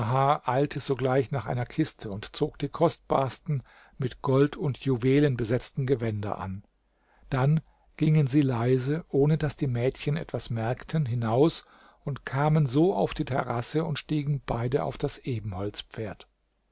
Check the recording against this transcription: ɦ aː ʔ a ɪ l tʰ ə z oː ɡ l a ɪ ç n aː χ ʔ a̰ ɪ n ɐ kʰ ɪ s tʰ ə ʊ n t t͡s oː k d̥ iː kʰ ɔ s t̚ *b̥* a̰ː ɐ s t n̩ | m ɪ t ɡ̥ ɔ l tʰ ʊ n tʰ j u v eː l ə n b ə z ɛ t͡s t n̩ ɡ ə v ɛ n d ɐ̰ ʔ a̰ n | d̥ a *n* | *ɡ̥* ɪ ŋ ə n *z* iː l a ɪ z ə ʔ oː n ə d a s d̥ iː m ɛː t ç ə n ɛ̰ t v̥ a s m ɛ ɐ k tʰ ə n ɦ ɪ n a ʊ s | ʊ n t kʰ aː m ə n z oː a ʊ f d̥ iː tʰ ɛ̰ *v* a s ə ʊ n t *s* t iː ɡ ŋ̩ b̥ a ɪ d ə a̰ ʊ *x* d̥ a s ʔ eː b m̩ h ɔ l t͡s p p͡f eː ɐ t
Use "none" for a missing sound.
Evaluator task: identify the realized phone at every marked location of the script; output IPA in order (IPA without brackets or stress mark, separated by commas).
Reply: b̥, n, ɡ̥, z, ʁ, ʃ, f